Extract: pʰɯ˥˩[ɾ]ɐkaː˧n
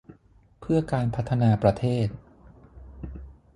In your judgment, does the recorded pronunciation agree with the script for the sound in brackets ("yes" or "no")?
no